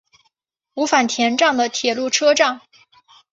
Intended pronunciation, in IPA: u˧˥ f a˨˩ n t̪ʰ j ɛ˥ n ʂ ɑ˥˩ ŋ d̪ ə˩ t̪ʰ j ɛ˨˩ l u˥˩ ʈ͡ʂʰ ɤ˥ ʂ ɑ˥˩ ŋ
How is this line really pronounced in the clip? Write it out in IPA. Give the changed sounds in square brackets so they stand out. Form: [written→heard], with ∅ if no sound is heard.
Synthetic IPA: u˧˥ f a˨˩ n t̪ʰ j [ɛ˥→ɛ˧˥] n [ʂ→ʈ͡ʂ] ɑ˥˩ ŋ d̪ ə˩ t̪ʰ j ɛ˨˩ l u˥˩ ʈ͡ʂʰ ɤ˥ [ʂ→ʈ͡ʂ] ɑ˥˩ ŋ